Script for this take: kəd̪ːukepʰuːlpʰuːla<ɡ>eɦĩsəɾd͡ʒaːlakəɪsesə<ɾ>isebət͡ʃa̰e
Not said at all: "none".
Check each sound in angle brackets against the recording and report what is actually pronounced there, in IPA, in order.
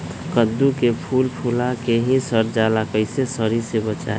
k, ɾ

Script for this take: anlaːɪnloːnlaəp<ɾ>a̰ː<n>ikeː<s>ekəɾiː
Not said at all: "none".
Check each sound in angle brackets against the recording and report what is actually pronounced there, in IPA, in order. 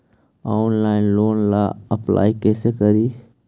l, none, s

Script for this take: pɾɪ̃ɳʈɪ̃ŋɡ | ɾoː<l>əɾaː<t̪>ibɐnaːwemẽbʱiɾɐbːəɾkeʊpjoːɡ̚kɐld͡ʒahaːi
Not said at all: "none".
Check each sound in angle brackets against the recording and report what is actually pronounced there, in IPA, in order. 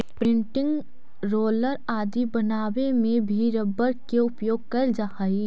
l, d̪

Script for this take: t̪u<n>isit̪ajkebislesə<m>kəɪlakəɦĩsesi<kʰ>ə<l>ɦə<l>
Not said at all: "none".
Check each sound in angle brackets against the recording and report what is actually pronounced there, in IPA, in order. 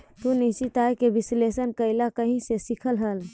n, n, kʰ, l, l

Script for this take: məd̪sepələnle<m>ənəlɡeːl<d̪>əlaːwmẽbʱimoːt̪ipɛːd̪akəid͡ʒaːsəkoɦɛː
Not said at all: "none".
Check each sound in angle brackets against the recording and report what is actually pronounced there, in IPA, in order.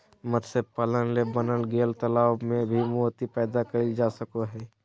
b, t̪

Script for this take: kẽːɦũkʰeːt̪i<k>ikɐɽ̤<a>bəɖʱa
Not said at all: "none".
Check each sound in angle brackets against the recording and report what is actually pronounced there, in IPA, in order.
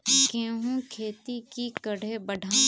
k, e

